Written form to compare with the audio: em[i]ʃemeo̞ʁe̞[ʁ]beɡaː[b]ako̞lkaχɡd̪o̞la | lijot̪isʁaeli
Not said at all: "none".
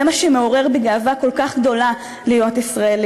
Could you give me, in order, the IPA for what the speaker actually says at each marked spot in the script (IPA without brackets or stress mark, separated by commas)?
a, ʁ, v